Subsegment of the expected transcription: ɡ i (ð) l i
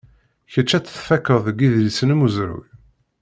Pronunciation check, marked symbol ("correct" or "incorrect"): correct